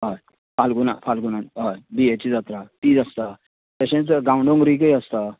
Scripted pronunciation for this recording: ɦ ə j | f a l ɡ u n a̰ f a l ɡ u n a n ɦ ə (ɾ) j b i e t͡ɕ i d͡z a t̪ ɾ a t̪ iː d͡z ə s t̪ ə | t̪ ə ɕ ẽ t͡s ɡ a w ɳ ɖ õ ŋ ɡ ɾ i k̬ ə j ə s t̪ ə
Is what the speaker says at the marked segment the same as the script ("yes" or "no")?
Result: no